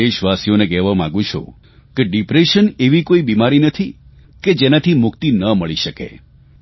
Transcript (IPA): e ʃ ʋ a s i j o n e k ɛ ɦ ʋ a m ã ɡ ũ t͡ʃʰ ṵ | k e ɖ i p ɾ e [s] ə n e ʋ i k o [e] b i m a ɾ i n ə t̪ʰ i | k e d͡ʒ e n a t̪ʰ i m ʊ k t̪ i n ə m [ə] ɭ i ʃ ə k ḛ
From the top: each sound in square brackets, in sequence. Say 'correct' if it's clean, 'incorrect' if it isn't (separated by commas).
incorrect, incorrect, correct